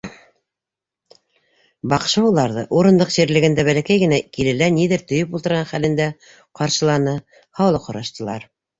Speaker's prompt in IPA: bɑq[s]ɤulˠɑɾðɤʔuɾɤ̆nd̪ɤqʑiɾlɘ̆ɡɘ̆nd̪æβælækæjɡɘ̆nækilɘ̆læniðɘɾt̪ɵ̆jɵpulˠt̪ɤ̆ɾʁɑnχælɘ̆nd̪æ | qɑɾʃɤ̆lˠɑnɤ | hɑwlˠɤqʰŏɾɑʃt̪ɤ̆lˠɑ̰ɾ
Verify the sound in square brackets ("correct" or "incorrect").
incorrect